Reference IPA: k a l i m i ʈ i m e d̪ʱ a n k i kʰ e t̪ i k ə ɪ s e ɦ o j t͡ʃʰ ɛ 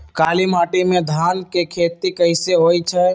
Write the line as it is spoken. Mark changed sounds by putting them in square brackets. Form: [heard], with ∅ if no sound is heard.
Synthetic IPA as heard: k a l i m [a] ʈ i m e d̪ʱ a n k [e] kʰ e t̪ i k ə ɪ s e ɦ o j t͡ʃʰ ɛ